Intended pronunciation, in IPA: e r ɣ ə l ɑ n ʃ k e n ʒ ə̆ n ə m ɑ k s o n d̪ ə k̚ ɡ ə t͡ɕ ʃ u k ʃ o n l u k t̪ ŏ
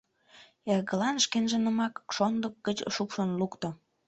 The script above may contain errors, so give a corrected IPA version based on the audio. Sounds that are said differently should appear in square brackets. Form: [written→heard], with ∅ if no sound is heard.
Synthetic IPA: e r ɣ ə l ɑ n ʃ k e n ʒ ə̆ n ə m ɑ k [s→ʃ] o n d̪ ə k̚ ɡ ə t͡ɕ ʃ u k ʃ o n l u k t̪ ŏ